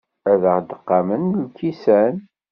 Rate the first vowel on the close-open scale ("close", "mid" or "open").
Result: open